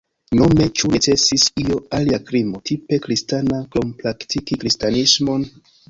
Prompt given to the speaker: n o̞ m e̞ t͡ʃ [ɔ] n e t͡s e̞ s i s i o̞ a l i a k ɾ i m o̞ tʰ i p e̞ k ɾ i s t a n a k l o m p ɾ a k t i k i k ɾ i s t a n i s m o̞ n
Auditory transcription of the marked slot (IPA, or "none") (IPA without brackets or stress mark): u